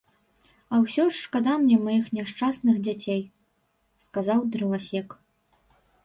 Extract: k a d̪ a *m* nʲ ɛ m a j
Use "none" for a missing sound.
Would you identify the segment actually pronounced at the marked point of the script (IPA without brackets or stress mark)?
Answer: m